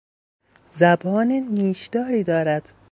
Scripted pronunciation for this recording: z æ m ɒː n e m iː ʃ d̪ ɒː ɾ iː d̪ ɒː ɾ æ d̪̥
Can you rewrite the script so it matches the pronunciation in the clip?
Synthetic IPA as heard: z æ b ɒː n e n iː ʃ d̪ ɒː ɾ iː d̪ ɒː ɾ æ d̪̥